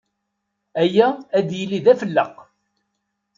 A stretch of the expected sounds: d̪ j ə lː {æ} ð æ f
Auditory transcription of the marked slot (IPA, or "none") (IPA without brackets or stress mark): i